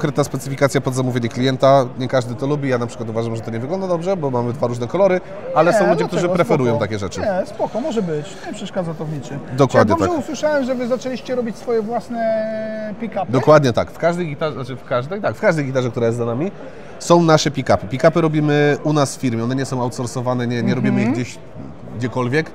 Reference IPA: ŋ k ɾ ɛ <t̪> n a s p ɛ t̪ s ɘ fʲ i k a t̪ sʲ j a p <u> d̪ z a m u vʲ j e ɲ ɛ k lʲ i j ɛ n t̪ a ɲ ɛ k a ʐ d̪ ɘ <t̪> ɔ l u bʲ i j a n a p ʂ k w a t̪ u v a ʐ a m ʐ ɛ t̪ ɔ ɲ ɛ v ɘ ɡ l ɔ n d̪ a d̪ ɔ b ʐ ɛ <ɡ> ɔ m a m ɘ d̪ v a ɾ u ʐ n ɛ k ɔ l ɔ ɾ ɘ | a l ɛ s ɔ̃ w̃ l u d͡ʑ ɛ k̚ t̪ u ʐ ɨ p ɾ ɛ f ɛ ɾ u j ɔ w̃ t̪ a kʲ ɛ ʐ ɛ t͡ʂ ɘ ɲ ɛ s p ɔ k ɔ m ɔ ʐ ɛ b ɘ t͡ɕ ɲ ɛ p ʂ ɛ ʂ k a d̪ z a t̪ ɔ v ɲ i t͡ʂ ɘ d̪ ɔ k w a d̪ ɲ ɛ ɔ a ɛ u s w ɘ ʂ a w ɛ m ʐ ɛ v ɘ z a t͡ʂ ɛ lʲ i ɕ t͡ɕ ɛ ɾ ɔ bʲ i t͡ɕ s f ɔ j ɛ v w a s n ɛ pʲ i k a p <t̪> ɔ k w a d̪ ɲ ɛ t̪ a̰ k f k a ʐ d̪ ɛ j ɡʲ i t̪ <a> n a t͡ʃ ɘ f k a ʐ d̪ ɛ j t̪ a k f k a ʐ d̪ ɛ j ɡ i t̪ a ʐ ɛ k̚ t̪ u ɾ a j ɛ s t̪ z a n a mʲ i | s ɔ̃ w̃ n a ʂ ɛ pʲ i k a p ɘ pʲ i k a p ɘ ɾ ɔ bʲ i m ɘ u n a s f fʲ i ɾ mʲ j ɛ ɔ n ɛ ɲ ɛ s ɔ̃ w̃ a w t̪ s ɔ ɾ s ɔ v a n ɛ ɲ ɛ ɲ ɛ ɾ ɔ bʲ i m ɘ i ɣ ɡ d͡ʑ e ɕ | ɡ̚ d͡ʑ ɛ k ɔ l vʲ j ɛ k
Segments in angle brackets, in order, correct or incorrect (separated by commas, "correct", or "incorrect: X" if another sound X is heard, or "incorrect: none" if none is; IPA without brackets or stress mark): correct, incorrect: ɔ, correct, incorrect: b, incorrect: d̪, correct